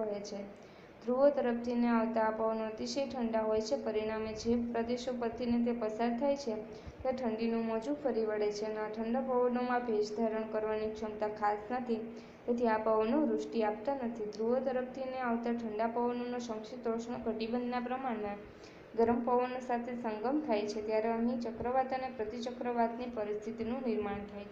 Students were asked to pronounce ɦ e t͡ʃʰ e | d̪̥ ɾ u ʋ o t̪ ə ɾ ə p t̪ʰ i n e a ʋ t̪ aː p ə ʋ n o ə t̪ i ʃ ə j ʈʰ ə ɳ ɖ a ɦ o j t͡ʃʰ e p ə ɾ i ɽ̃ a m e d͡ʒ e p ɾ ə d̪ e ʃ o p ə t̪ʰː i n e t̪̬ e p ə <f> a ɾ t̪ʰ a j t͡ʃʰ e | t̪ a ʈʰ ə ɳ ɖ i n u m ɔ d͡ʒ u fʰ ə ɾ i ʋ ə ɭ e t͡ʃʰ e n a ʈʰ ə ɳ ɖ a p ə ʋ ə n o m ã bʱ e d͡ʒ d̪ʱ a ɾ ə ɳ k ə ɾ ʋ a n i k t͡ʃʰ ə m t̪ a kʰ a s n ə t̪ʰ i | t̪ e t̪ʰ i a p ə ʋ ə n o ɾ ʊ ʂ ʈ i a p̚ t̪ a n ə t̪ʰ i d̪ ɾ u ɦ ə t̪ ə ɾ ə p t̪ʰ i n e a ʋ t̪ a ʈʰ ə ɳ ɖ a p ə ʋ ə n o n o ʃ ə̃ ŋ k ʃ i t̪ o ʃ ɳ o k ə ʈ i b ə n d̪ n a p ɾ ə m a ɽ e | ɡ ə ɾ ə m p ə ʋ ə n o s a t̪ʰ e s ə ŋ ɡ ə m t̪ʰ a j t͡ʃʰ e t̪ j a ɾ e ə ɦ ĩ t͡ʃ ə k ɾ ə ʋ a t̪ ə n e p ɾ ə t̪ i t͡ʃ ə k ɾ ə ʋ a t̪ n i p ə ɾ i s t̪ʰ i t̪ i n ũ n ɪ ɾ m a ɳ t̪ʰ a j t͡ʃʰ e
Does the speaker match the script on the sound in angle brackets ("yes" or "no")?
no